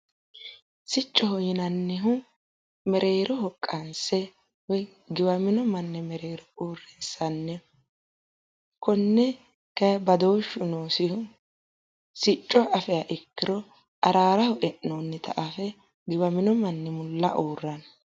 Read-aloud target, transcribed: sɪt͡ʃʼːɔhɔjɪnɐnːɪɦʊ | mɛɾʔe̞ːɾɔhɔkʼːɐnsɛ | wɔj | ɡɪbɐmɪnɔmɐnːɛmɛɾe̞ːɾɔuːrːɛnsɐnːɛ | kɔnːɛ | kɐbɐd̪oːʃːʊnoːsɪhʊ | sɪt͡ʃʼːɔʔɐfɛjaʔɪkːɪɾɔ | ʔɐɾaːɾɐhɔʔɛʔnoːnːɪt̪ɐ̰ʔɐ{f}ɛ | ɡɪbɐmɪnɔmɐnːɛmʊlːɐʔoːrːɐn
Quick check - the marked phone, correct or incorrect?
correct